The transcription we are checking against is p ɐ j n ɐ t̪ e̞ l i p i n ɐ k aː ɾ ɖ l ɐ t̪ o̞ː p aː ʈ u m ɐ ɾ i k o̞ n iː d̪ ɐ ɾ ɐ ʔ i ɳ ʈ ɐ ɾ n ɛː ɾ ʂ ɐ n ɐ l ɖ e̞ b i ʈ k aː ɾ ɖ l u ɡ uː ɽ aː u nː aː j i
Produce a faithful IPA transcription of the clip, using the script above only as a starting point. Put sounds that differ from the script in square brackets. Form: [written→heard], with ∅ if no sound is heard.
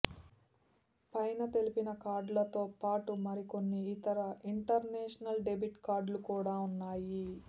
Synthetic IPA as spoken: p ɐ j n ɐ t̪ e̞ l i p i n ɐ k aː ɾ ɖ l ɐ t̪ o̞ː p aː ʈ u m ɐ ɾ i k o̞ [n→nː] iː [d̪→t̪] ɐ ɾ ɐ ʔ i ɳ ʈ ɐ ɾ n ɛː [ɾ→∅] ʂ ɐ n ɐ l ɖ e̞ b i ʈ k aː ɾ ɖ l u [ɡ→k] uː ɽ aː u nː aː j i

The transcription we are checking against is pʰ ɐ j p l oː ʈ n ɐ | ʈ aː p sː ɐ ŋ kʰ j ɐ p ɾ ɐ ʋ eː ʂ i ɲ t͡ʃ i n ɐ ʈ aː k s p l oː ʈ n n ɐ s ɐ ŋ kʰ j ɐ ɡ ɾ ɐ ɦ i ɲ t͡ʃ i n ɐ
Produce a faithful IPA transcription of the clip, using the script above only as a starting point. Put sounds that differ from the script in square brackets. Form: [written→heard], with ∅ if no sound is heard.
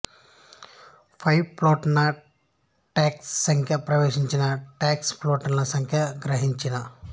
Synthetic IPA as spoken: pʰ ɐ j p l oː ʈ n ɐ | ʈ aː [p→k] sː ɐ ŋ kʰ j ɐ p ɾ ɐ ʋ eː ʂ i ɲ t͡ʃ i n ɐ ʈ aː k s p l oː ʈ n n ɐ s ɐ ŋ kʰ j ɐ ɡ ɾ ɐ ɦ i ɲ t͡ʃ i n ɐ

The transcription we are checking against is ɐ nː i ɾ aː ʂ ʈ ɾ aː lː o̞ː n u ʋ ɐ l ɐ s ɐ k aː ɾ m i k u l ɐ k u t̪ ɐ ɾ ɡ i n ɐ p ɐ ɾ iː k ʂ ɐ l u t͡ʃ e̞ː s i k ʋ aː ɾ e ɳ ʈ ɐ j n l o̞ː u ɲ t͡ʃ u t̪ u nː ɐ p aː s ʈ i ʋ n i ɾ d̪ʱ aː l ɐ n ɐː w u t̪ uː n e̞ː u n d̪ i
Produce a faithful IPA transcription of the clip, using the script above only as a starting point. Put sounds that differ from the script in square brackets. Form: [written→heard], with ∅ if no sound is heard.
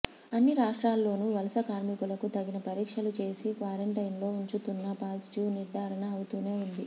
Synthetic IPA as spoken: ɐ nː i ɾ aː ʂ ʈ ɾ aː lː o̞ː n u ʋ ɐ l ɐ s ɐ k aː ɾ m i k u l ɐ k u t̪ ɐ [ɾ→∅] ɡ i n ɐ p ɐ ɾ iː k ʂ ɐ l u t͡ʃ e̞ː s i k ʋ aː ɾ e ɳ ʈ ɐ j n l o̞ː u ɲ t͡ʃ u t̪ u nː ɐ p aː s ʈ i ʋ n i ɾ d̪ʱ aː [l→ɾ] ɐ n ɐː w u t̪ uː n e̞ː u n d̪ i

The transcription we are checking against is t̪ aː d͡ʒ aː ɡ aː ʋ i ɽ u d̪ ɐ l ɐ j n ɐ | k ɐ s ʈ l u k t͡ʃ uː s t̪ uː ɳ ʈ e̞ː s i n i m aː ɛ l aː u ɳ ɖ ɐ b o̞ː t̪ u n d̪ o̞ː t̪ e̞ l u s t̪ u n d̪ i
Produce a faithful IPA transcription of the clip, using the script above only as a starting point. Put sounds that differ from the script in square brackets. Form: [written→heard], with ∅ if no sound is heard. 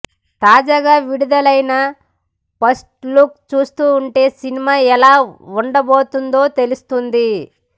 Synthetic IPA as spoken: t̪ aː d͡ʒ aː ɡ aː ʋ i ɽ u d̪ ɐ l ɐ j n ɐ | [k→p] ɐ s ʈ l u k t͡ʃ uː s t̪ uː ɳ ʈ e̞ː s i n i m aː ɛ l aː u ɳ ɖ ɐ b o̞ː t̪ u n d̪ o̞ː t̪ e̞ l u s t̪ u n d̪ i

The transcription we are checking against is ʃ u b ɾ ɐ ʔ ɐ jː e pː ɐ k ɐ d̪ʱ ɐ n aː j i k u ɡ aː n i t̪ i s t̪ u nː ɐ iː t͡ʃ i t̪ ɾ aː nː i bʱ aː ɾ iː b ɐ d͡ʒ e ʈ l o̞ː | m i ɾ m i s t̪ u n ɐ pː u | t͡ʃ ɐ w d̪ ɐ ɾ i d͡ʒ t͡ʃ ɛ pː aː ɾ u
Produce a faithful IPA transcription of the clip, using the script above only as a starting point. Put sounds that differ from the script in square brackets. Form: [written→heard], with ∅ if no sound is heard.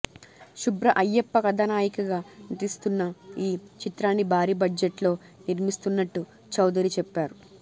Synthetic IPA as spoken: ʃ u b ɾ ɐ ʔ ɐ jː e pː ɐ k ɐ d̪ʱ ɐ n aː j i k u ɡ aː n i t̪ i s t̪ u nː ɐ iː t͡ʃ i t̪ ɾ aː nː i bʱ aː ɾ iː b ɐ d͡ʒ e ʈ l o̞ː | [m→n] i ɾ m i s t̪ u [n→nː] ɐ [pː→ʈː] u | t͡ʃ ɐ w d̪ ɐ ɾ i [d͡ʒ→∅] t͡ʃ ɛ pː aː ɾ u

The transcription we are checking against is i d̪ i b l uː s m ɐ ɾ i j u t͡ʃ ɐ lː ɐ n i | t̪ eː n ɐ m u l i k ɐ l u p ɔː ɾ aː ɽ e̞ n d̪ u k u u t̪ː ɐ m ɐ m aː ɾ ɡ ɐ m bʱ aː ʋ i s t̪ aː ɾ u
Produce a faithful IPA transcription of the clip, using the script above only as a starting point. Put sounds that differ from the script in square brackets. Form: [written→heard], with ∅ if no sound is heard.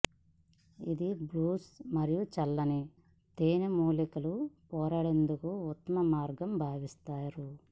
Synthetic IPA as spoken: i d̪ i b l uː s m ɐ ɾ i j u t͡ʃ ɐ lː ɐ n i | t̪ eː n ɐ m [u→uː] l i k ɐ l u p ɔː ɾ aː ɽ e̞ n d̪ u k u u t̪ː ɐ m ɐ m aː ɾ ɡ ɐ m bʱ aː ʋ i s t̪ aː ɾ u

